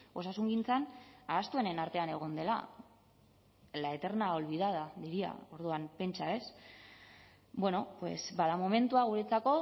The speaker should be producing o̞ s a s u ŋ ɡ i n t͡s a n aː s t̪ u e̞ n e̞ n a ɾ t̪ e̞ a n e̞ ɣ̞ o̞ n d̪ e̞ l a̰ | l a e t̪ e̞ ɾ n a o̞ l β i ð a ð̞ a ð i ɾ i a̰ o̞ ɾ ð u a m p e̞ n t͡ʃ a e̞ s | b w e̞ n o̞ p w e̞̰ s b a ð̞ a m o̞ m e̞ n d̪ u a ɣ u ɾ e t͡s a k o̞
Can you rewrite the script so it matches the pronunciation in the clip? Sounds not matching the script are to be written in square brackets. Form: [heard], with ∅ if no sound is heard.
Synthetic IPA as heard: o̞ s a s u ŋ ɡ i n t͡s a n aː s t̪ u e̞ n e̞ n a ɾ t̪ e̞ a n e̞ ɣ̞ o̞ n d̪ e̞ l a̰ | l a e t̪ e̞ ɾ n a o̞ l β i ð a ð̞ a ð i ɾ i a̰ o̞ ɾ ð u a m p e̞ n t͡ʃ a e̞ s | b w e̞ n o̞ p w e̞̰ s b a ð̞ a m o̞ m e̞ n [t̪] u a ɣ u ɾ e t͡s a k o̞